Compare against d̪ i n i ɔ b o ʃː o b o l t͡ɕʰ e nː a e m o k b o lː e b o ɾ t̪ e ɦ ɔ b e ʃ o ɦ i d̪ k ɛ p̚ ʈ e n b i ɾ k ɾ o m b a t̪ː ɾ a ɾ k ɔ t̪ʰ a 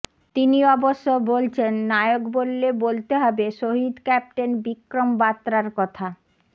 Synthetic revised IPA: t̪ i n i ɔ b o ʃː o b o l t͡ɕʰ e nː a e o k b o lː e b o l t̪ e ɦ ɔ b e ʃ o ɦ i d̪ k ɛ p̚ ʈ e n b i k ɾ o m b a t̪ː ɾ a ɾ k ɔ t̪ʰ a